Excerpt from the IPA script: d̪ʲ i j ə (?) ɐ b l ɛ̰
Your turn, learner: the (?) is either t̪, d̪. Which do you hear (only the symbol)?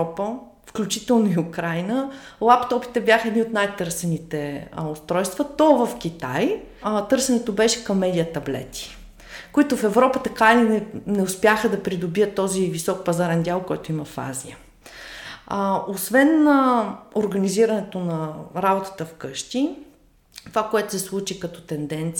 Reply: t̪